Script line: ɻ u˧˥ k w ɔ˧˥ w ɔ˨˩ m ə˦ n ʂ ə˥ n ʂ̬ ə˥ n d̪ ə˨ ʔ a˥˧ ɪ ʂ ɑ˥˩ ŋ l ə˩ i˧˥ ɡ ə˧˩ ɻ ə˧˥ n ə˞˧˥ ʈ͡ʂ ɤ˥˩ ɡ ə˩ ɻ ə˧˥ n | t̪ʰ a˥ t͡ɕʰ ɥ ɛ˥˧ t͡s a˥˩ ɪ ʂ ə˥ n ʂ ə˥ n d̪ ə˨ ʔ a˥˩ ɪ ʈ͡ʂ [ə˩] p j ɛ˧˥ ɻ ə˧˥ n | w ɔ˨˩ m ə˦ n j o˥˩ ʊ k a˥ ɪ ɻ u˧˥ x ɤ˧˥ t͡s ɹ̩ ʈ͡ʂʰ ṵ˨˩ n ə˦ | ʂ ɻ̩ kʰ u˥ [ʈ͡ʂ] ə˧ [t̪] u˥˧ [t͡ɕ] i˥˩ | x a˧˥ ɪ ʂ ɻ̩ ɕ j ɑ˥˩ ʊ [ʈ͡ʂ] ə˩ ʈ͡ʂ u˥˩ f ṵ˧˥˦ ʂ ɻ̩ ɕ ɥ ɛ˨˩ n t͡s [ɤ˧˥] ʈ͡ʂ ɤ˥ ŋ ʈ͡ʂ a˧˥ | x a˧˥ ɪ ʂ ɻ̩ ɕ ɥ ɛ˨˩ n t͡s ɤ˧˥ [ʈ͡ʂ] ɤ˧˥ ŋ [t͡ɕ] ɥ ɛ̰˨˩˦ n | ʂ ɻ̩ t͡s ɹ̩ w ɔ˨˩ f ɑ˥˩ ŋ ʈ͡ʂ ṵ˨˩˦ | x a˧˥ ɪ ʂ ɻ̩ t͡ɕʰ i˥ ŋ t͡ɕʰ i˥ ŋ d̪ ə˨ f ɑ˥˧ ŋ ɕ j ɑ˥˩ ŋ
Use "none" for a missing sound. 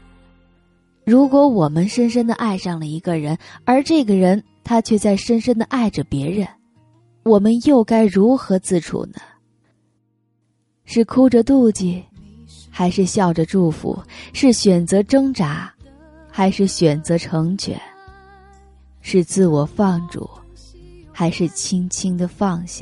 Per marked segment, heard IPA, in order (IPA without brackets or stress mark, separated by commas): ə˩, ʈ͡ʂ, t̪, t͡ɕ, ʈ͡ʂ, ɤ˧˥, ʈ͡ʂʰ, t͡ɕʰ